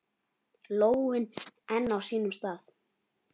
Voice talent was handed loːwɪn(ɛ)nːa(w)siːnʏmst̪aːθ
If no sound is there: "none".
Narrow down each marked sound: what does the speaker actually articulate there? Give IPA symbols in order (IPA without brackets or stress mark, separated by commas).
ɛ, w